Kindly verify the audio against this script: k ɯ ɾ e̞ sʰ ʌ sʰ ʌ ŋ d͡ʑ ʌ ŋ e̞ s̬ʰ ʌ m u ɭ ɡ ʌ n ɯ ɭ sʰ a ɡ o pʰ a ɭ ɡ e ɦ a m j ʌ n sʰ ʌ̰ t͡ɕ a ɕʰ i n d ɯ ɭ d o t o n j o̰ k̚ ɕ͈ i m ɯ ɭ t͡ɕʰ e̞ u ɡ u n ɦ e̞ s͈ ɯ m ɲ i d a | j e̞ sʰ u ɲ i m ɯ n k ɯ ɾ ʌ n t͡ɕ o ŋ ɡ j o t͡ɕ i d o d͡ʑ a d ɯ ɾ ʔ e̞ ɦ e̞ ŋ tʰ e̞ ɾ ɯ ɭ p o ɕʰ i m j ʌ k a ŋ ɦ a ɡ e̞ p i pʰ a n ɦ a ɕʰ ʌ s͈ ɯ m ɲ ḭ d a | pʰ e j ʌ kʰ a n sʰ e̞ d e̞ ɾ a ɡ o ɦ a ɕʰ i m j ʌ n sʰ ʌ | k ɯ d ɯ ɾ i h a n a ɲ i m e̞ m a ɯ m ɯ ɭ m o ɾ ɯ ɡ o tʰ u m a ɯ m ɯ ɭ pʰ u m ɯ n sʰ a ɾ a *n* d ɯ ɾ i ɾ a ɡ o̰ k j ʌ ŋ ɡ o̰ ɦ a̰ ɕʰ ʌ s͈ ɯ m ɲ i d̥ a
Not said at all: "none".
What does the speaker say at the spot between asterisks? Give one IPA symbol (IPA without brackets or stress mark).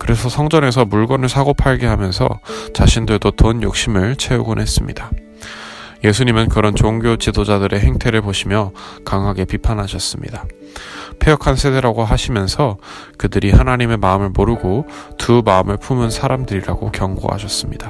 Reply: m